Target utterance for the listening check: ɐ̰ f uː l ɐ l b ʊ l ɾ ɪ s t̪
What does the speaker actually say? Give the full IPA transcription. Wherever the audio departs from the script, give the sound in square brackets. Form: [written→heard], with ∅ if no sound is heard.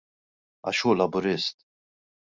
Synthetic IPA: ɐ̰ [f→ʃ] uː l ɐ [l→∅] b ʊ [l→∅] ɾ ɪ s t̪